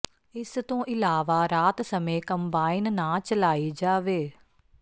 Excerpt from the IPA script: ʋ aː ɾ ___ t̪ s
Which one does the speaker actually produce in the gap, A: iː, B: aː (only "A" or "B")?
B